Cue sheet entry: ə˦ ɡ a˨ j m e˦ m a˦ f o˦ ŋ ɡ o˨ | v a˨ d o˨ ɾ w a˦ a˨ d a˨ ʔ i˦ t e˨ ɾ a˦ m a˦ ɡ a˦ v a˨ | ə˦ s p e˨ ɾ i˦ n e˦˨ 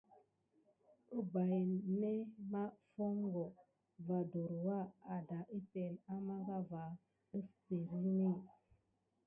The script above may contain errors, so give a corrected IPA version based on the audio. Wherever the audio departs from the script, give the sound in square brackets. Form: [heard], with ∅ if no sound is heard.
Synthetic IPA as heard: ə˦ [b] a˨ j [n] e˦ m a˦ f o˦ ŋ ɡ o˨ | v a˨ d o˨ ɾ w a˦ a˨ d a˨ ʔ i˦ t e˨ [l] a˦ m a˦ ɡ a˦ v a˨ | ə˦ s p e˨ ɾ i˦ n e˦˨